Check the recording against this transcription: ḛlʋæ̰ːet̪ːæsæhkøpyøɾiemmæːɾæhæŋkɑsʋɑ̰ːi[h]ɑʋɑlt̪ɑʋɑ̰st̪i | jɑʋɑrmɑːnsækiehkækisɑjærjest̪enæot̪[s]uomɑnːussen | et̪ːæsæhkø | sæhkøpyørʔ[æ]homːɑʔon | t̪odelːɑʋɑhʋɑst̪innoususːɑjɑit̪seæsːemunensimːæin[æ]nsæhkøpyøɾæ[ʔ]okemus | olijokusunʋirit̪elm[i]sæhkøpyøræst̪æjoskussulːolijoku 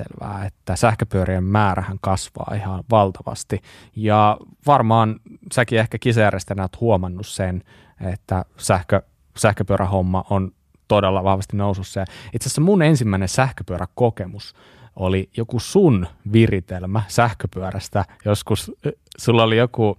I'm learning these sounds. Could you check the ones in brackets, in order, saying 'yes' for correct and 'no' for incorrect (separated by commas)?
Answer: yes, no, yes, no, no, no